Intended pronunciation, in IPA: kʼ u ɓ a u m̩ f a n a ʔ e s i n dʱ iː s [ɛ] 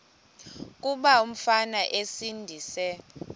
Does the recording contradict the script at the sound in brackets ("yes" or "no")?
no